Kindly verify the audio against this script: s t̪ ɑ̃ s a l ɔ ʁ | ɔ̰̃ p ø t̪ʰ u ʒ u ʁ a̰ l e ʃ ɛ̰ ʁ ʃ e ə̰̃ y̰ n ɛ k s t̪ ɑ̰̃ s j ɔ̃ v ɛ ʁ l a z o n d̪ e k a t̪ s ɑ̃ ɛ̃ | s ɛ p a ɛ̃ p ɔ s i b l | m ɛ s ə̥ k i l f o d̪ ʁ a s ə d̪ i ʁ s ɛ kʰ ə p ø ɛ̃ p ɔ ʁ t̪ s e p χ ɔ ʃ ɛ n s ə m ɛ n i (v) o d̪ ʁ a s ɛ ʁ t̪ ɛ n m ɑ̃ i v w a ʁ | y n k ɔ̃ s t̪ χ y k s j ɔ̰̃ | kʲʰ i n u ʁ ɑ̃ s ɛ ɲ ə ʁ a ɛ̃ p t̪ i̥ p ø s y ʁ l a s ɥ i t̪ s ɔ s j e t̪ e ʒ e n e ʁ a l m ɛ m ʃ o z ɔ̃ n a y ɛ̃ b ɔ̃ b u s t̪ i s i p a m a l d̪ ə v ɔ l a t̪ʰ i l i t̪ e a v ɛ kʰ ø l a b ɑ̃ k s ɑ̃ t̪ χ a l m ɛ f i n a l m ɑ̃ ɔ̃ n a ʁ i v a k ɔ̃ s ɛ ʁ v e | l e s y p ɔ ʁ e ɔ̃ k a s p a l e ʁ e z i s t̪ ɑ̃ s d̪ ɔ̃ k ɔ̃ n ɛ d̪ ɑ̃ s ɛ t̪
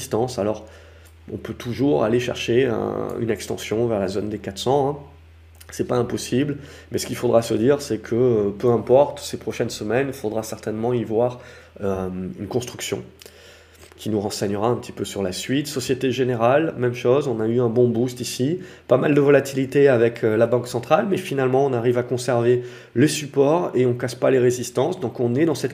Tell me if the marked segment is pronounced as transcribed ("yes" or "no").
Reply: no